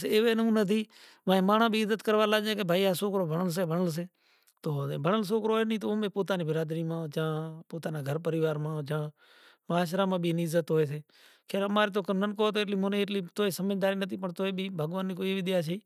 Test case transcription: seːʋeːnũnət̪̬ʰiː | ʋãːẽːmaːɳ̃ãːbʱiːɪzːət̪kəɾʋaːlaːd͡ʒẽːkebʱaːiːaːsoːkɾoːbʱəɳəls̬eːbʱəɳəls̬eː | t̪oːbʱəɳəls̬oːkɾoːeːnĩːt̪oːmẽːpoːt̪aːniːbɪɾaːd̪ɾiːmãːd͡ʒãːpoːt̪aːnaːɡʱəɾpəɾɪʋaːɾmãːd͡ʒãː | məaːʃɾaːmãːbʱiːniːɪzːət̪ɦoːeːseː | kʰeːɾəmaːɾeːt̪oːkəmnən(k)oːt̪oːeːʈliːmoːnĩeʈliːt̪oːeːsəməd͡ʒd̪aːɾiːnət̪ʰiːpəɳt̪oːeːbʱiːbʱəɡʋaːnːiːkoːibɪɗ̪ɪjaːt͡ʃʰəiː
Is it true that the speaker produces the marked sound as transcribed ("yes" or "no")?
yes